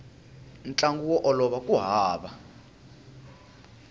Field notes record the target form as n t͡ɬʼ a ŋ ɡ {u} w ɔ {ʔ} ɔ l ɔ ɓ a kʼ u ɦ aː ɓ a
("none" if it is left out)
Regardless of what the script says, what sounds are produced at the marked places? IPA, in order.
u, ʔ

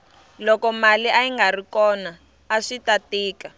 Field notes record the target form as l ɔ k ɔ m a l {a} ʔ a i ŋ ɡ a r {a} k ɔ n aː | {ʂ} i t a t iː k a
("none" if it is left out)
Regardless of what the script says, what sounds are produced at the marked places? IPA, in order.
i, i, ʂ

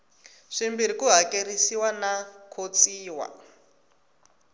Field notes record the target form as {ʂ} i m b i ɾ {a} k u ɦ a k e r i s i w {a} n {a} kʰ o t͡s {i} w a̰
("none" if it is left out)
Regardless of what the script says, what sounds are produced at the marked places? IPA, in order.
ʂ, i, a, a, iː

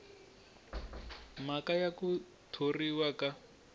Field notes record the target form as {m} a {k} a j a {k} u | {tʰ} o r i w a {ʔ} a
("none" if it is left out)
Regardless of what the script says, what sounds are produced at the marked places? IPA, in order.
m, k, k, tʰ, k

